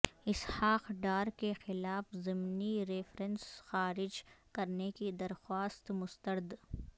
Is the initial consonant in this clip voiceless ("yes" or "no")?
yes